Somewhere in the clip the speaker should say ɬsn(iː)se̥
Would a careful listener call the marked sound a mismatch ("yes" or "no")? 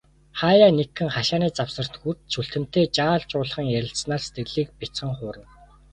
yes